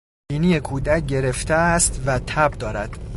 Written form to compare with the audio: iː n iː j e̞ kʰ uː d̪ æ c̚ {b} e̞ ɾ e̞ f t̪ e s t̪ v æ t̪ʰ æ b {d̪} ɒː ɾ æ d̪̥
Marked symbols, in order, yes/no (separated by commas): no, yes